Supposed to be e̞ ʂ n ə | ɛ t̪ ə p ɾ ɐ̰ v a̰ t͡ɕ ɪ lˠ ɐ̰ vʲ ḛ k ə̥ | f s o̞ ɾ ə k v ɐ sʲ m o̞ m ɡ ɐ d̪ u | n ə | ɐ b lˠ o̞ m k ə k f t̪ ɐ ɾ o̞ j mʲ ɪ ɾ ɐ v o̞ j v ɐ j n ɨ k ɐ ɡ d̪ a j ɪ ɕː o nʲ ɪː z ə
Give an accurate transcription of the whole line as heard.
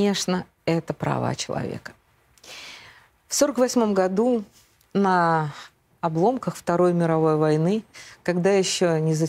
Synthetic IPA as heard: e̞ ʂ n ə | ɛ t̪ ə p ɾ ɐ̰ v a̰ t͡ɕ ɪ lˠ ɐ̰ vʲ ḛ k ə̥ | f s o̞ ɾ ə k v ɐ sʲ m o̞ m ɡ ɐ d̪ u | n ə | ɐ b lˠ o̞ m k ə x f t̪ ɐ ɾ o̞ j mʲ ɪ ɾ ɐ v o̞ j v ɐ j n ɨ k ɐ ɡ d̪ a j ɪ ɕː o nʲ ɪ z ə